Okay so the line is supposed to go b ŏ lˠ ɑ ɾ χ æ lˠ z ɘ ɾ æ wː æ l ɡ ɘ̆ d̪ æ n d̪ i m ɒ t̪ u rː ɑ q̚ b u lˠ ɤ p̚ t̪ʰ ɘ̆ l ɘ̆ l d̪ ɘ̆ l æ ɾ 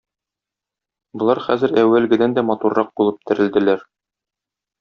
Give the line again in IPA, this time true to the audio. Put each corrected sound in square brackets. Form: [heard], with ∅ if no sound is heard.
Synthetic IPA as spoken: b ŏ lˠ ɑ ɾ χ æ [∅] z ɘ ɾ æ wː æ l ɡ ɘ̆ d̪ æ n d̪ [æ] m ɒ t̪ u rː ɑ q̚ b u lˠ ɤ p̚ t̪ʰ ɘ̆ [ɾ] ɘ̆ l d̪ ɘ̆ l æ ɾ